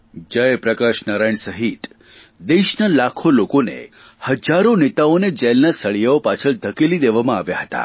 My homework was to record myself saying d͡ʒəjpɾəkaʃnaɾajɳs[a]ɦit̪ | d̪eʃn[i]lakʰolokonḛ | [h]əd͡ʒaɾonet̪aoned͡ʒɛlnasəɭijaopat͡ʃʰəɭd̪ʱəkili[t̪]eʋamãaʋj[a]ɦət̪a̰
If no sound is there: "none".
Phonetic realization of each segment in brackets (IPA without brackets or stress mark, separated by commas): ə, a, h, d̪, a